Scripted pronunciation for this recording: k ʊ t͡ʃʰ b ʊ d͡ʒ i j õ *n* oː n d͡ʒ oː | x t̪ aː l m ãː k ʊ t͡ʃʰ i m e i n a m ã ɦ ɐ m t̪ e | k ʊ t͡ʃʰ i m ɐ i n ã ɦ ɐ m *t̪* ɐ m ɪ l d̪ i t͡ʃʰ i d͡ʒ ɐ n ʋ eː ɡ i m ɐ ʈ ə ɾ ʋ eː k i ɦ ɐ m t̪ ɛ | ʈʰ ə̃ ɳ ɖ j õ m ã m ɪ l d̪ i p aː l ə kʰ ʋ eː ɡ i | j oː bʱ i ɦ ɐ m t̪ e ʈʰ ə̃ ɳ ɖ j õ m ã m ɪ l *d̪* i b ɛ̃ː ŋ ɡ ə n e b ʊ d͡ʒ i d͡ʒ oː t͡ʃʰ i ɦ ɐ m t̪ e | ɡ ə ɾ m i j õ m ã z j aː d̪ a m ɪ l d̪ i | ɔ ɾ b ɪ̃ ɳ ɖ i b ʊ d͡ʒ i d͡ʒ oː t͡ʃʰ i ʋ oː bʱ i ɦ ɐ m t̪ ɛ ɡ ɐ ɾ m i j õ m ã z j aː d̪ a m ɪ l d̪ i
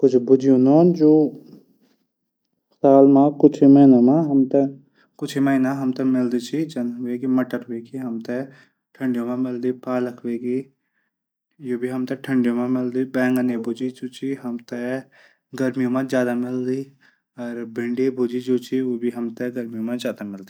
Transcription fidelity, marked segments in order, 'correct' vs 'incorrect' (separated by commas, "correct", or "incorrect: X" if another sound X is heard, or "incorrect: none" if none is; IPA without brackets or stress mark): correct, correct, correct